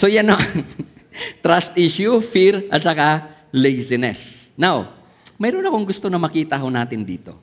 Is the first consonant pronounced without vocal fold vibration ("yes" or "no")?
yes